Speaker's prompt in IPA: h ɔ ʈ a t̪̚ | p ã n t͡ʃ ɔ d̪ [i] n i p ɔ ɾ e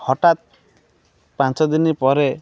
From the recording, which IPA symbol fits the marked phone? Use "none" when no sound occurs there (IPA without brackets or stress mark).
i